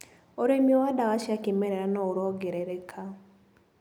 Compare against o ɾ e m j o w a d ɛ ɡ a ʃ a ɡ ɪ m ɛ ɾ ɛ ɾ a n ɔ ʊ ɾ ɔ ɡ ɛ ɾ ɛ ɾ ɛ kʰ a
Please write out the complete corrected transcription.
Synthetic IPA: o ɾ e m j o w a d a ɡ a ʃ a k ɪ m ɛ ɾ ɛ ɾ a n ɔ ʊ ɾ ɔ ɡ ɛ ɾ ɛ ɾ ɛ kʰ a